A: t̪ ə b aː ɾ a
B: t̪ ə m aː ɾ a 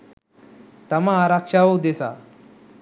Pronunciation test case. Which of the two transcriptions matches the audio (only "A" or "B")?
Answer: B